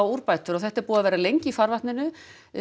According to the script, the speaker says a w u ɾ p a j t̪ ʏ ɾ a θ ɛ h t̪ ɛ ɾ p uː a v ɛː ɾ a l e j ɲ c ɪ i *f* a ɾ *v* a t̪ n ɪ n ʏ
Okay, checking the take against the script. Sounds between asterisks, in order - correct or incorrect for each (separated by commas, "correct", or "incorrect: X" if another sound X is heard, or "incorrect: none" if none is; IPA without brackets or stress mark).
correct, correct